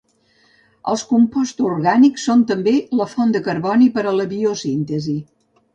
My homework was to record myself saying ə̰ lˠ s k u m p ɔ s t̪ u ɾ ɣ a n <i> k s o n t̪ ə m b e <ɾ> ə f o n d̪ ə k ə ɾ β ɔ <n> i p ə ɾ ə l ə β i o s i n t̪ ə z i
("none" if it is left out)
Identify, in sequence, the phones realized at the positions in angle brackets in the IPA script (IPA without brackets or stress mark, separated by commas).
i, l, n